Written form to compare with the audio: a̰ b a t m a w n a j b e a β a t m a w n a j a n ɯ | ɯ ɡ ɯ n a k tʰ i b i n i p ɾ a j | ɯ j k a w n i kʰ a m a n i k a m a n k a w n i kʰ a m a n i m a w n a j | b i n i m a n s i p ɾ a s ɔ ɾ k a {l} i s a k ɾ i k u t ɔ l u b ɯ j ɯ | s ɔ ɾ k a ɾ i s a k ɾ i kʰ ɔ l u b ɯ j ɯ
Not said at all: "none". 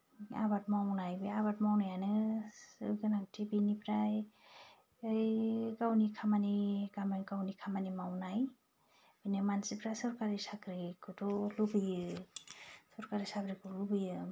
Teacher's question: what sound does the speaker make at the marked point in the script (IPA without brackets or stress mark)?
ɾ